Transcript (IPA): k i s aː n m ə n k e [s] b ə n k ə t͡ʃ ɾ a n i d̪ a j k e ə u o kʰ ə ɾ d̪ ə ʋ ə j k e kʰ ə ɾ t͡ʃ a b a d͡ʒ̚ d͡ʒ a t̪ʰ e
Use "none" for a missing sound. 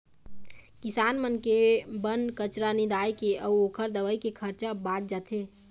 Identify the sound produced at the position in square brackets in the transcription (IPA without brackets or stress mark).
none